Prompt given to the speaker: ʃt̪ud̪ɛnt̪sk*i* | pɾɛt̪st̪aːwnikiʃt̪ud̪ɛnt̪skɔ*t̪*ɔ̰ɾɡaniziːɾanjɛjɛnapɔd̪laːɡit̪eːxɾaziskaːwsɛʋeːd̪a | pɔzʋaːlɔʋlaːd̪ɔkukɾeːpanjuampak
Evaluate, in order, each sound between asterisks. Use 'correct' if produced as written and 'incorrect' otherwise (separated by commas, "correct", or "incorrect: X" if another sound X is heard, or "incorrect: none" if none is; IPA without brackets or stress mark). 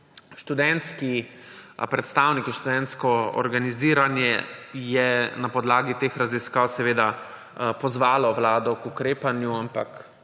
correct, incorrect: none